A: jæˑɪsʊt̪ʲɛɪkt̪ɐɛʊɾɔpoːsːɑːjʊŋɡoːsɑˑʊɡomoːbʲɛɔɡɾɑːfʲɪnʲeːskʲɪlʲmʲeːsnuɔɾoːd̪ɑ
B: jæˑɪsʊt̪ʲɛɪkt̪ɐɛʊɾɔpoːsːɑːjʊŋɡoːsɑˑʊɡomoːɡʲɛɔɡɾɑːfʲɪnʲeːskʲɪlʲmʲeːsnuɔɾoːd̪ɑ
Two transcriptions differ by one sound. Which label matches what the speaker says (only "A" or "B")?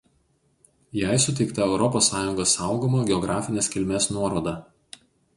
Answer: B